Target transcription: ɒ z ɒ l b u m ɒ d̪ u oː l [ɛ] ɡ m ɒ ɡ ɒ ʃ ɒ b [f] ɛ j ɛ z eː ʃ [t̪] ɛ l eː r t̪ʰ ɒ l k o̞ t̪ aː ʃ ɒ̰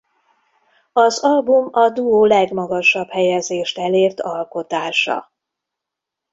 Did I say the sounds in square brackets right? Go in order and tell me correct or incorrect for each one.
correct, incorrect, correct

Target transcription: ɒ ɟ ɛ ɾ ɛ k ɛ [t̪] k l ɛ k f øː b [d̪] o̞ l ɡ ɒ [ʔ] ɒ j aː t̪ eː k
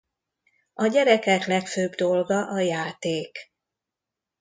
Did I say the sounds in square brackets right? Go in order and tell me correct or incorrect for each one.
incorrect, correct, correct

